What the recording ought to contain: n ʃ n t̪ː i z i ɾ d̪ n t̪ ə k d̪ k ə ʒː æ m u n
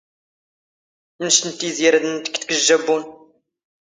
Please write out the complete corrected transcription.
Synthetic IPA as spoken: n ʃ n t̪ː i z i ɾ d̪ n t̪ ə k t̪ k ə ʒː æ b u n

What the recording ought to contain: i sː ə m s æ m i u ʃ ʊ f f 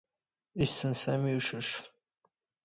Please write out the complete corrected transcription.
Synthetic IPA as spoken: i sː ə n s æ m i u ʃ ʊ ʃ f

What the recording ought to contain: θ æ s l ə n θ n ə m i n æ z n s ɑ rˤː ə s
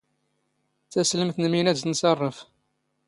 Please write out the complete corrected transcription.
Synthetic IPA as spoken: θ æ s l ə m θ n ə m i n æ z n s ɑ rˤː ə f

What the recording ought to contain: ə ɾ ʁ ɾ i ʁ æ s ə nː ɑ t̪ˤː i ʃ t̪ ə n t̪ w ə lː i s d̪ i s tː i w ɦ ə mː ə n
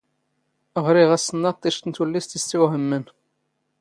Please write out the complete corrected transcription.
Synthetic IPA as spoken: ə ʁ ɾ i ʁ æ s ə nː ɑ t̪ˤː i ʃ t̪ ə n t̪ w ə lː i s t̪ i s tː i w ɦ ə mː ə n

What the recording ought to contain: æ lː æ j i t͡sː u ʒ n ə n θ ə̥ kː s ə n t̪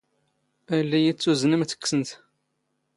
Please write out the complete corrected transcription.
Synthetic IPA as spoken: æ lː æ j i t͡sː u z n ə m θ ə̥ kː s ə n t̪

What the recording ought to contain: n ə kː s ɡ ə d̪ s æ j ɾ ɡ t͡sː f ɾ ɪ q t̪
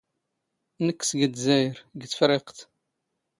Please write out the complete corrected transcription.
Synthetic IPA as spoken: n ə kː s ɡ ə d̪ z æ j ɾ ɡ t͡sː f ɾ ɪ q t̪

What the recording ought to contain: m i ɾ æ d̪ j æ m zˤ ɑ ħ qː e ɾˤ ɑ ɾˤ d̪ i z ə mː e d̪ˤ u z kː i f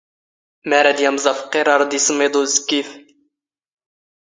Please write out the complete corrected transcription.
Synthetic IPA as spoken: m æ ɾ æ d̪ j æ m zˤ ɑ f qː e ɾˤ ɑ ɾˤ d̪ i s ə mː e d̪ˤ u z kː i f

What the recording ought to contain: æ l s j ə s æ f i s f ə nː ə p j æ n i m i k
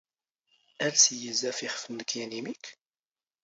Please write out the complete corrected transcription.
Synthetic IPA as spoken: æ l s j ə z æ f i χ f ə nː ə k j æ n i m i k

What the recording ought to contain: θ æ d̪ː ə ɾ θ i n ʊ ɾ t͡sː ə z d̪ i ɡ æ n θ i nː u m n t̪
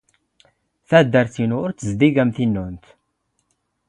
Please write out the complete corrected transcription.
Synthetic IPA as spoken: θ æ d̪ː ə ɾ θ i n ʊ ɾ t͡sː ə z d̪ i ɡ æ m θ i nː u n t̪

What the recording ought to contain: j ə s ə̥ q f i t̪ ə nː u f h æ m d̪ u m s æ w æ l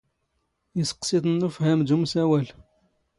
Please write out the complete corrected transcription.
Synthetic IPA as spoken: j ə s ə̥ q s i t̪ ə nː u f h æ m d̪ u m s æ w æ l

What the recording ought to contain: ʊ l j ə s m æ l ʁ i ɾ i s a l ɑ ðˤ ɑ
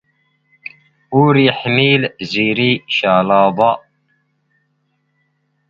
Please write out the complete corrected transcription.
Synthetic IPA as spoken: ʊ ɾ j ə ħ m i l z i ɾ i ʃ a l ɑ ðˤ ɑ

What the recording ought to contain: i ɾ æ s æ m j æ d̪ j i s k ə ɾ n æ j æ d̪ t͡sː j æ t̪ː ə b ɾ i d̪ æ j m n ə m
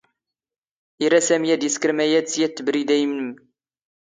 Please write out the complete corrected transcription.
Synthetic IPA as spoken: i ɾ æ s æ m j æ d̪ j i s k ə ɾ m æ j æ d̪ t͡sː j æ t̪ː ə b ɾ i d̪ æ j m n ə m

